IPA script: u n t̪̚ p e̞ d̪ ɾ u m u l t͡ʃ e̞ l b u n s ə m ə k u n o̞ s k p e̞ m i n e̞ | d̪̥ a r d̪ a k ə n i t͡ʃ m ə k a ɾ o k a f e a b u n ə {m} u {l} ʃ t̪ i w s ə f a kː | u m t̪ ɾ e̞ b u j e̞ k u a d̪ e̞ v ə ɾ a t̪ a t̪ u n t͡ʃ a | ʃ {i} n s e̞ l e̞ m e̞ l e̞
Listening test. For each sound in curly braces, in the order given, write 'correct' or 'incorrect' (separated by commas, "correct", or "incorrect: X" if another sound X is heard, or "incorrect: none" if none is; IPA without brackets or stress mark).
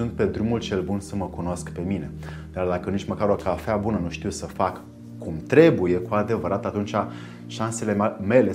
incorrect: n, incorrect: none, incorrect: a